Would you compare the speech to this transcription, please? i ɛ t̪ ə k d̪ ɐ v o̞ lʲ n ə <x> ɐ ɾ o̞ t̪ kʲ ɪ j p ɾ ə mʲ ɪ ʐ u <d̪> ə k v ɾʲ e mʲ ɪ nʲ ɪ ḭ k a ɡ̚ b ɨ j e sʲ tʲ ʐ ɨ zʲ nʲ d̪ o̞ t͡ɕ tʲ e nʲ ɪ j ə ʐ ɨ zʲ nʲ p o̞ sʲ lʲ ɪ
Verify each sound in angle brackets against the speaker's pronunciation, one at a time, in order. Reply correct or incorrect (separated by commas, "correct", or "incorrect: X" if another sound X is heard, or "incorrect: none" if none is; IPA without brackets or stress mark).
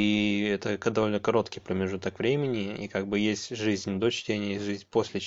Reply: incorrect: k, incorrect: t̪